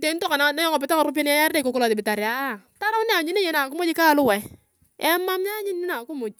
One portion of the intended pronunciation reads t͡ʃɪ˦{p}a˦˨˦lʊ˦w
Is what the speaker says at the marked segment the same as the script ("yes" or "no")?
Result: no